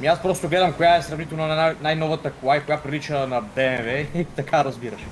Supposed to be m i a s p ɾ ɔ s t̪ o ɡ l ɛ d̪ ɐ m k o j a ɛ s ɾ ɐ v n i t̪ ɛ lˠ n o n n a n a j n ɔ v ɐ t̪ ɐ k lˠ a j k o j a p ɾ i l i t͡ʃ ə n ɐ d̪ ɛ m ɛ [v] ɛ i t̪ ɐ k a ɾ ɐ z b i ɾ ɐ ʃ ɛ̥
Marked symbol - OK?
yes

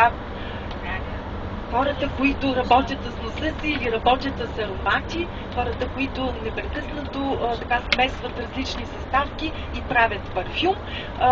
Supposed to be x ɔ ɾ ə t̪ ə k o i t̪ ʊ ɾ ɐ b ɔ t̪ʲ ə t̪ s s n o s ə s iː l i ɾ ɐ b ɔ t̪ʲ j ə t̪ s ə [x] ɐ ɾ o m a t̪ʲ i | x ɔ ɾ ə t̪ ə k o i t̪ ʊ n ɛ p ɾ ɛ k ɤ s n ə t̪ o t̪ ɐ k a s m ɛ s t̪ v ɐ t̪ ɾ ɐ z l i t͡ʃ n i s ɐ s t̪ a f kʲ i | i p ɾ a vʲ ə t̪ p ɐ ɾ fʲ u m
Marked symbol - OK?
no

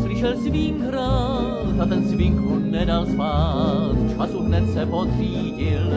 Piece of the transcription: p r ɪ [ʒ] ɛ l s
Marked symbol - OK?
no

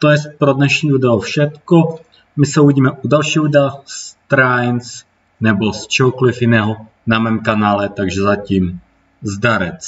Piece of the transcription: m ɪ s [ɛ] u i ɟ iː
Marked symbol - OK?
yes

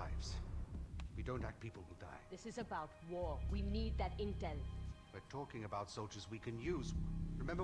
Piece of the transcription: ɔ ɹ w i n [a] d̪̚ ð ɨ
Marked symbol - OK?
no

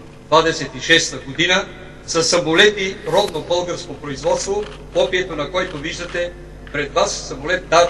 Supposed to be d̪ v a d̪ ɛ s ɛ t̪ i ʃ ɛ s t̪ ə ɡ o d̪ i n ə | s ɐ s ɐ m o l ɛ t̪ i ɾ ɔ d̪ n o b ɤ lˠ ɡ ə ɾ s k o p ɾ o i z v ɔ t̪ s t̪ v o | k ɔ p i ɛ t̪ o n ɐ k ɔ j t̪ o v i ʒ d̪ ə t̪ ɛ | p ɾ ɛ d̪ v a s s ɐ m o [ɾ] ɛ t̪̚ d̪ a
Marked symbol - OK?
no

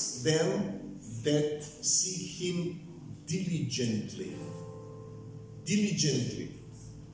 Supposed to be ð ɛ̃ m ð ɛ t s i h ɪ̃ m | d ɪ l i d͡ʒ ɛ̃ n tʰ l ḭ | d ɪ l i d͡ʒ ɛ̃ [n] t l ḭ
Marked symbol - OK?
yes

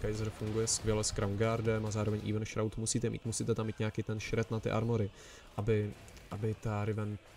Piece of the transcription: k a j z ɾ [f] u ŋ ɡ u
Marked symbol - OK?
yes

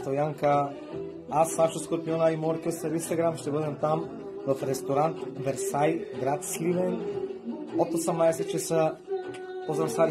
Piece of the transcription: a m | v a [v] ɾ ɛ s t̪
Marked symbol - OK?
no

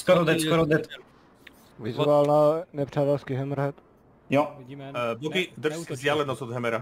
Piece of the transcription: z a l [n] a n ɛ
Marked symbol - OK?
yes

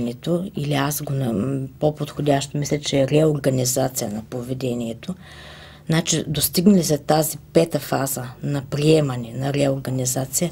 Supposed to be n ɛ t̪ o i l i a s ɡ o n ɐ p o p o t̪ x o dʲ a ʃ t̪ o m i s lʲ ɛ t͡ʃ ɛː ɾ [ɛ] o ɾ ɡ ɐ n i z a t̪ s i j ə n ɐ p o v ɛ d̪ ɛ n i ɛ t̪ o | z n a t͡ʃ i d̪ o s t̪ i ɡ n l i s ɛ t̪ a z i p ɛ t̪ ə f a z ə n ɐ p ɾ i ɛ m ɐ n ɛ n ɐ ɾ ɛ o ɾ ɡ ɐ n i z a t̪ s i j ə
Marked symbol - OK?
yes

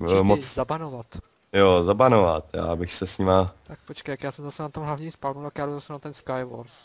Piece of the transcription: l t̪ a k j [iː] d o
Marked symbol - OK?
no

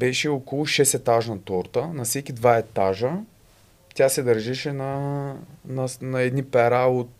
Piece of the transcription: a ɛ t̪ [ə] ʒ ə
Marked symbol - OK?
no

